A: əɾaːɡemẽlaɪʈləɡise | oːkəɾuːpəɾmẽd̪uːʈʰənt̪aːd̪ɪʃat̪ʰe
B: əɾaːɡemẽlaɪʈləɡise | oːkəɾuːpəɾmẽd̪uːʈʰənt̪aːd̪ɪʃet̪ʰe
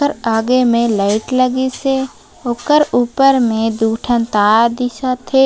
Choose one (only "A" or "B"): A